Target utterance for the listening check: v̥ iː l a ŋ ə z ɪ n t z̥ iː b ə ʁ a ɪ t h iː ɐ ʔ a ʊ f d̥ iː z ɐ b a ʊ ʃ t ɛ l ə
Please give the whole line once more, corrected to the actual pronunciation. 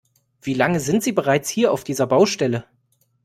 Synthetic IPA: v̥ iː l a ŋ ə z ɪ n t z̥ iː b ə ʁ a ɪ t͡s h iː ɐ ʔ a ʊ f d̥ iː z ɐ b a ʊ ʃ t ɛ l ə